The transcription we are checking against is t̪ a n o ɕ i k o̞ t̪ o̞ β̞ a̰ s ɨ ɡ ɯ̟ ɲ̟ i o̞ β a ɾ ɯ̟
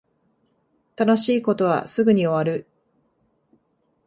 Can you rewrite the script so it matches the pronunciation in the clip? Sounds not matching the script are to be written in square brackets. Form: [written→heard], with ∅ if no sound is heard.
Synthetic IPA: t̪ a n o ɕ [i→iː] k o̞ t̪ o̞ β̞ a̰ s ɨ ɡ ɯ̟ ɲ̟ i o̞ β a ɾ ɯ̟